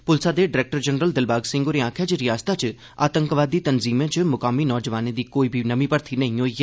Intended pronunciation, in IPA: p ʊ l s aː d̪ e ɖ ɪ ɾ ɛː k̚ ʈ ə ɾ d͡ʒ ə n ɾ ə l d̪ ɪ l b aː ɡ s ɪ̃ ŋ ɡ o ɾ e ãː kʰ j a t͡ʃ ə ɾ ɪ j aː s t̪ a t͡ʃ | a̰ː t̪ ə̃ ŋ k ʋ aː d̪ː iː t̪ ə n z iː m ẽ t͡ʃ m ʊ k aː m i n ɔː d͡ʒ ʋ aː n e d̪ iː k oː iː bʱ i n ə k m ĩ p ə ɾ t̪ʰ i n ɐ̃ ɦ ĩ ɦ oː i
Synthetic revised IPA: p ʊ l s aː d̪ e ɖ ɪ ɾ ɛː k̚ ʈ ə ɾ d͡ʒ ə n ɾ ə l d̪ ɪ l b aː ɡ s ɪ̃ ŋ ɡ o ɾ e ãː kʰ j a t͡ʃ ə ɾ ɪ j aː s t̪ a t͡ʃ | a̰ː t̪ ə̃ ŋ k ʋ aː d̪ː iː t̪ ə n z iː m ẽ t͡ʃ m ʊ k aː m i n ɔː d͡ʒ ʋ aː n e d̪ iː k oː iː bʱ i n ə m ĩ p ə ɾ t̪ʰ i n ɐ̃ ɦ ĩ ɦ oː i

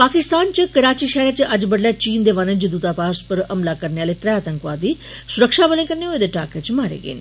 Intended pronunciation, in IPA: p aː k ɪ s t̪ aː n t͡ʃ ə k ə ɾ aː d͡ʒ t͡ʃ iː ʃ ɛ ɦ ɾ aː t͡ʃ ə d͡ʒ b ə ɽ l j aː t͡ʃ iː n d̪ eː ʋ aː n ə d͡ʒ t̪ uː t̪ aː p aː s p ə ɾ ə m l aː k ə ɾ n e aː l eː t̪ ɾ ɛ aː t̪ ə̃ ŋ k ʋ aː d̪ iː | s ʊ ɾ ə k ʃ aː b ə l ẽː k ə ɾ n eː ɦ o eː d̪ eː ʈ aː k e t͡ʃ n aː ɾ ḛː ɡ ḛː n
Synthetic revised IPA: p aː k ɪ s t̪ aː n t͡ʃ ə k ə ɾ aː t͡ʃ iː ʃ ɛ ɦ ɾ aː t͡ʃ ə d͡ʒ b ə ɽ l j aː t͡ʃ iː n d̪ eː ʋ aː n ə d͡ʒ d̪ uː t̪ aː p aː s p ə ɾ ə m l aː k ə ɾ n e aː l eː t̪ ɾ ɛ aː t̪ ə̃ ŋ k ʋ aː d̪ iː | s ʊ ɾ ə k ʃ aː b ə l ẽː k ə ɾ n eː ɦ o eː d̪ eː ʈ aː k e t͡ʃ m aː ɾ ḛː ɡ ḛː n

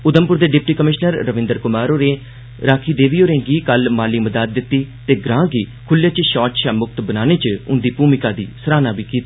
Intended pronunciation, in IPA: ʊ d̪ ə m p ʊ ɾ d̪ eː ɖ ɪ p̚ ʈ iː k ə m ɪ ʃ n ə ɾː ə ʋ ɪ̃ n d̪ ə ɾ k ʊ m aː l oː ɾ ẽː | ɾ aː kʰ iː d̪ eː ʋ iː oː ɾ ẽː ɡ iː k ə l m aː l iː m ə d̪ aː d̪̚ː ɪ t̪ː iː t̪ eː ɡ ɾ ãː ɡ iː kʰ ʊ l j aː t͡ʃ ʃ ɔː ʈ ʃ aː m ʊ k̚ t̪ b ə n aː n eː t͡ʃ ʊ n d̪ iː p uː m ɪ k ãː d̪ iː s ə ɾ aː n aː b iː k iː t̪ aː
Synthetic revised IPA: ʊ d̪ ə m p ʊ ɾ d̪ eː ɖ ɪ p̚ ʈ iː k ə m ɪ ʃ n ə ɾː ə ʋ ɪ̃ n d̪ ə ɾ k ʊ m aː ɾ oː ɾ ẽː | ɾ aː kʰ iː d̪ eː ʋ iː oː ɾ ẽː ɡ iː k ə l m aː l iː m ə d̪ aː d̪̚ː ɪ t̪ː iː t̪ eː ɡ ɾ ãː ɡ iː kʰ ʊ l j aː t͡ʃ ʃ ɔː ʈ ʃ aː m ʊ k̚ t̪ b ə n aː n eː t͡ʃ ʊ n d̪ iː p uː m ɪ k aː d̪ iː s ə ɾ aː n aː b iː k iː t̪ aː

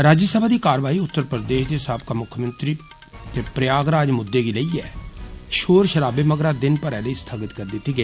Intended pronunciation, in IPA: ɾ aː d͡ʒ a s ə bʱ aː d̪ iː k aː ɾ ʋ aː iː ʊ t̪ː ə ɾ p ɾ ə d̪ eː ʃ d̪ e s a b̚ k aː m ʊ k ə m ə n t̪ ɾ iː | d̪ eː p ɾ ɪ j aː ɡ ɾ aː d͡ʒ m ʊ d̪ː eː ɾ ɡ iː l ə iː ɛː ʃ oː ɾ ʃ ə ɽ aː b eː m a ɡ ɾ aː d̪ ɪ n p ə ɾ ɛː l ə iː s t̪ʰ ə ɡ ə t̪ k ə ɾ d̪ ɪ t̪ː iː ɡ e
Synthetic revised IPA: ɾ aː d͡ʒ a s ə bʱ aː d̪ iː k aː ɾ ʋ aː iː ʊ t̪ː ə ɾ p ɾ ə d̪ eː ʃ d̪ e s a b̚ k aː m ʊ kʰ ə m ə n t̪ ɾ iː | t̪ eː p ɾ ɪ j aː ɡ ɾ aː d͡ʒ m ʊ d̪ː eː ɡ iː l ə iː ɛː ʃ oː ɾ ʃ ə ɾ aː b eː m ə ɡ ɾ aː d̪ ɪ n p ə ɾ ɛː l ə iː s t̪ʰ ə ɡ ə t̪ k ə ɾ d̪ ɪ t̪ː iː ɡ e

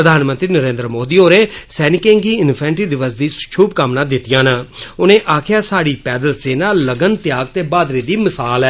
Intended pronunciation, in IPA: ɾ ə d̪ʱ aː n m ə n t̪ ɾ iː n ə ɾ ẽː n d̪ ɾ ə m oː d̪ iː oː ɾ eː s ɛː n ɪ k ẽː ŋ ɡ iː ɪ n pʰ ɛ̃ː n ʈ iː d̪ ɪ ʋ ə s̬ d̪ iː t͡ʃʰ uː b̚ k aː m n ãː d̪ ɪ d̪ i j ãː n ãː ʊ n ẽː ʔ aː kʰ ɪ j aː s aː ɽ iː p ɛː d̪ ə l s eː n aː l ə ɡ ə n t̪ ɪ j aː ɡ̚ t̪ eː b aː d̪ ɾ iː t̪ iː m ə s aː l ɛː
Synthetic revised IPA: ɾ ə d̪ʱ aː n m ə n t̪ ɾ iː n ə ɾ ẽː n d̪ ɾ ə m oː d̪ iː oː ɾ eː s ɛː n ɪ k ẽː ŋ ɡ iː ɪ n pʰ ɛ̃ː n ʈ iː d̪ ɪ ʋ ə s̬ d̪ iː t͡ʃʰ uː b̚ k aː m n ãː d̪ ɪ t̪ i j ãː n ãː ʊ n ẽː ʔ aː kʰ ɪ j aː s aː ɽ iː p ɛː d̪ ə l s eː n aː l ə ɡ ə n t̪ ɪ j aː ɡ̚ t̪ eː b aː d̪ ɾ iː d̪ iː m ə s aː l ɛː

